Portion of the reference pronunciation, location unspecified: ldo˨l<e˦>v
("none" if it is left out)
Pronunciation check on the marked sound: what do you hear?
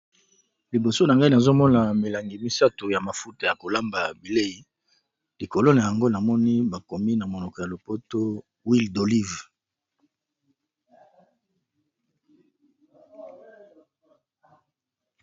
i˦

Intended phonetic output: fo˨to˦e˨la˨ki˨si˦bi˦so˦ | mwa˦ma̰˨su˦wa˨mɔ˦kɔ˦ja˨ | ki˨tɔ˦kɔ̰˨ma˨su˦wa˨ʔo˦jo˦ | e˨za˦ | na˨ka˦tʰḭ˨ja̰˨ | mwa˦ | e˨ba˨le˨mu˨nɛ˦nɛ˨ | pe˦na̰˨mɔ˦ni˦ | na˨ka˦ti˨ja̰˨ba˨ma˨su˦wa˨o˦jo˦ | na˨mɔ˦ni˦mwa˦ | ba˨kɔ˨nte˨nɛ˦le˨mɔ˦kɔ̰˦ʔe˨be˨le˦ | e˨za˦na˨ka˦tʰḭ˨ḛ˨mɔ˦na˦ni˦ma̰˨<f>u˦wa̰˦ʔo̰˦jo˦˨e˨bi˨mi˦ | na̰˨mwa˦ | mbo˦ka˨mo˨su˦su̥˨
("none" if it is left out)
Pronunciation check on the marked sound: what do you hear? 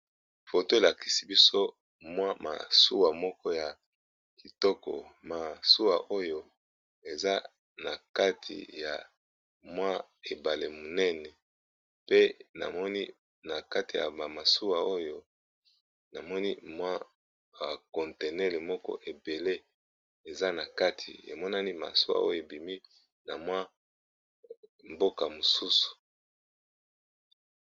s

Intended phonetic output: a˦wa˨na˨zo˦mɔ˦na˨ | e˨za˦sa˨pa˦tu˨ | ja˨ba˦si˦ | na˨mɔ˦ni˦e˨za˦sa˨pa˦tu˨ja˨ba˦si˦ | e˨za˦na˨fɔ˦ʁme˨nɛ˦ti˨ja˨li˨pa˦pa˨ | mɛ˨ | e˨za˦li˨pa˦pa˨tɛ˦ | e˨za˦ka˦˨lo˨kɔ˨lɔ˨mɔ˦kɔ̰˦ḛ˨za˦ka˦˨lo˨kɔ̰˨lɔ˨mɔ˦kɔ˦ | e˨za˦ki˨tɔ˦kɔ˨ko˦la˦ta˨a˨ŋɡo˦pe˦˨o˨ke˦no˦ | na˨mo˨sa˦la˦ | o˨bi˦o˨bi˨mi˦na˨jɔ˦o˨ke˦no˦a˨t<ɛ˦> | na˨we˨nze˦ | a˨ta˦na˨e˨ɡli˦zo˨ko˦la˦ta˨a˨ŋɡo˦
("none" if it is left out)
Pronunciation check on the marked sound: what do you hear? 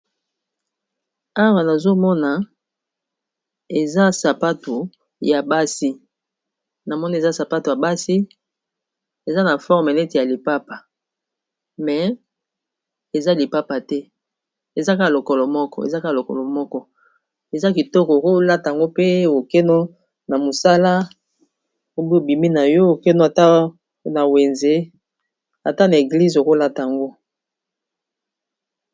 a˦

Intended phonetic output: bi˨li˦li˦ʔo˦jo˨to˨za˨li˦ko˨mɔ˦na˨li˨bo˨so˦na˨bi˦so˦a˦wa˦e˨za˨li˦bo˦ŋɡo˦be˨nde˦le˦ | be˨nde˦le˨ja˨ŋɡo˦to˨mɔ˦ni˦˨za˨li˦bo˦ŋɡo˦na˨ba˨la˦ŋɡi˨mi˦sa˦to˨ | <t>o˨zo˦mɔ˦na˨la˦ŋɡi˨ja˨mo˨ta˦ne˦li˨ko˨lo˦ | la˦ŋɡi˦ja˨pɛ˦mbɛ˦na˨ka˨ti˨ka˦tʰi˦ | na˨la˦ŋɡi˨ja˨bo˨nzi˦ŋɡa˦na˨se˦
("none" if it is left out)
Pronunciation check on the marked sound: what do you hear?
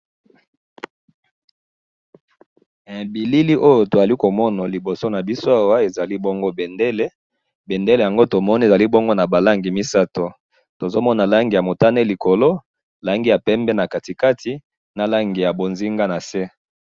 t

